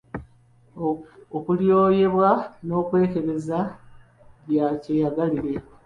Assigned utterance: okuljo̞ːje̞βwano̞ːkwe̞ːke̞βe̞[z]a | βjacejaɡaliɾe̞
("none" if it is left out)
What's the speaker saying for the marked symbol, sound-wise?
z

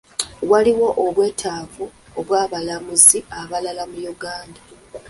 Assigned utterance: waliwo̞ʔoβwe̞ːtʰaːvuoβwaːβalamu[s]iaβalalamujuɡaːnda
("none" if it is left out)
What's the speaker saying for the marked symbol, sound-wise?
z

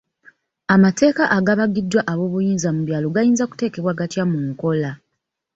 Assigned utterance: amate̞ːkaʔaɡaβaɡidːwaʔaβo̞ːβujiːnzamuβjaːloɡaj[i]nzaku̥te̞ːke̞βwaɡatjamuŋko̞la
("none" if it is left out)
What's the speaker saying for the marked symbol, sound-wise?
iː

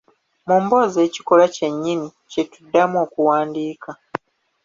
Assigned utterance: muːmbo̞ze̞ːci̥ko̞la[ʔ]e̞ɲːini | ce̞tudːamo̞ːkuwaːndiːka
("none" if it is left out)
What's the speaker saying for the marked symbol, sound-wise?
c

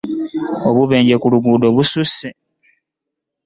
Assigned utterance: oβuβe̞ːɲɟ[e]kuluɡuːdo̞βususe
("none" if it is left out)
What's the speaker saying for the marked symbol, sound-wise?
e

